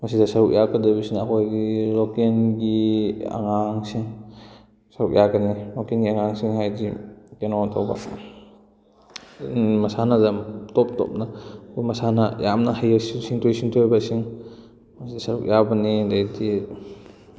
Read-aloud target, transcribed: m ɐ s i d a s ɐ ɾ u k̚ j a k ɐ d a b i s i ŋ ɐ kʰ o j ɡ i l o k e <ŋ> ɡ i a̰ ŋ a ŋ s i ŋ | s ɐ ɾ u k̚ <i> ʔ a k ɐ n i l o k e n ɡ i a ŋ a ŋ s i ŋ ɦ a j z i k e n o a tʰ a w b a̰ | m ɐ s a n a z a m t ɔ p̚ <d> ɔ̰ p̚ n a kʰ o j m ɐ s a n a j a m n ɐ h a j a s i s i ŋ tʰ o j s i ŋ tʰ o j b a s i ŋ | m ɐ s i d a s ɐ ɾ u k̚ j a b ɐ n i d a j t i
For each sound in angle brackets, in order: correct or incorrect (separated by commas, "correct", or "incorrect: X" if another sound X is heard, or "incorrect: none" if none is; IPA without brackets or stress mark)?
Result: incorrect: n, incorrect: j, incorrect: t